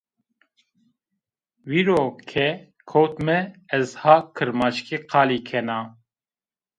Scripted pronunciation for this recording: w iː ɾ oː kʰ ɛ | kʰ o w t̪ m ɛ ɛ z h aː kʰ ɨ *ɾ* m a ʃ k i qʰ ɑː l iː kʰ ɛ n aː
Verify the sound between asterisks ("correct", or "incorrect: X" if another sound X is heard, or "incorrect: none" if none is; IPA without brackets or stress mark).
correct